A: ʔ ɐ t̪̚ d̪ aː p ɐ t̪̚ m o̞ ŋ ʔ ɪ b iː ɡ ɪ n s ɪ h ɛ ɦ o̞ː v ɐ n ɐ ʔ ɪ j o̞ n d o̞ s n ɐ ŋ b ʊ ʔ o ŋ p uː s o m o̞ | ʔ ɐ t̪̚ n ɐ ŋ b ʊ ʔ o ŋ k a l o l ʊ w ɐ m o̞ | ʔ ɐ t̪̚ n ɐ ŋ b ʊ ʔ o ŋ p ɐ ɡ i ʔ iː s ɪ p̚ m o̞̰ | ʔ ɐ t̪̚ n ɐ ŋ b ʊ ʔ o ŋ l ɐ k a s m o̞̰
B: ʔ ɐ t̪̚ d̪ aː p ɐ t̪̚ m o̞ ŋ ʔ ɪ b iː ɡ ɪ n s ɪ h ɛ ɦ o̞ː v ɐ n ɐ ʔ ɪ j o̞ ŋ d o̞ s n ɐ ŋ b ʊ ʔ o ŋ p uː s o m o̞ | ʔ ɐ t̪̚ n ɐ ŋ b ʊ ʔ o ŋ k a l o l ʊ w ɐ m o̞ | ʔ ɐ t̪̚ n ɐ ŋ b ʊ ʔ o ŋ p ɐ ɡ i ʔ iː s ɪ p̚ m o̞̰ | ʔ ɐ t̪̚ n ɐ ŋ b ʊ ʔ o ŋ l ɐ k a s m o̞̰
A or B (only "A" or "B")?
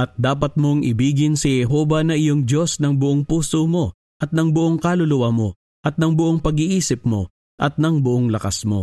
B